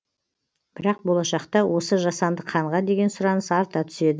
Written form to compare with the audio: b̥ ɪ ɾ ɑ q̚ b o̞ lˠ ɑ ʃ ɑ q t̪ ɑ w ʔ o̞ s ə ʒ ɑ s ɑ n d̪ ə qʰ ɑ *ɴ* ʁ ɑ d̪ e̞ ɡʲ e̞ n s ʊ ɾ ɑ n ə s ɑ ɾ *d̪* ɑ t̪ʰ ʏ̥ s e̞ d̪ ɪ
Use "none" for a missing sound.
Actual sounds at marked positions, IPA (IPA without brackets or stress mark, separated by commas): ɴ, t̪